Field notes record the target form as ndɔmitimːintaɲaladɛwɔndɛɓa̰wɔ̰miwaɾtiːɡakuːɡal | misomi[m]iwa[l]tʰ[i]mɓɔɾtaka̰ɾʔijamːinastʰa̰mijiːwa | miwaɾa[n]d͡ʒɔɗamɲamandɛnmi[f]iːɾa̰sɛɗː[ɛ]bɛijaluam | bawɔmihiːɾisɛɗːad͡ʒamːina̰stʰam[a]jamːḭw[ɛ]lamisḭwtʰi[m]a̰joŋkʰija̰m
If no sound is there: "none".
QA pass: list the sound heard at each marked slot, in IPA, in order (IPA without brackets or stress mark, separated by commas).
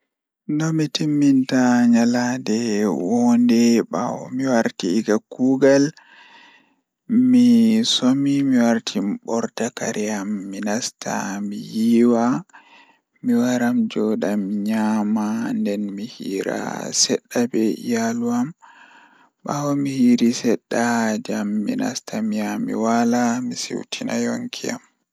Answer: m, ɾ, i, m, h, a, i, a, n